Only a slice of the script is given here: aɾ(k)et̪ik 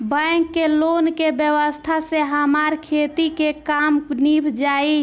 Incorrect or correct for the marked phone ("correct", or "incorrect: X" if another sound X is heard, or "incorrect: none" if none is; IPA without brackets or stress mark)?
incorrect: kʰ